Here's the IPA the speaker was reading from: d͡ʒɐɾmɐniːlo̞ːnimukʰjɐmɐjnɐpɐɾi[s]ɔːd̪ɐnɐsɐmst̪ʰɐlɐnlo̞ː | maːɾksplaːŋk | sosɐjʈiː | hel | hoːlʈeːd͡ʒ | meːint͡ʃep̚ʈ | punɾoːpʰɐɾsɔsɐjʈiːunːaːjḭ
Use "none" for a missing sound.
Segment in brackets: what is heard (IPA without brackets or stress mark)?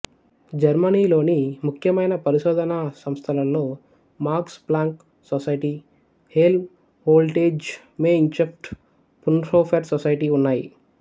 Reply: ʃ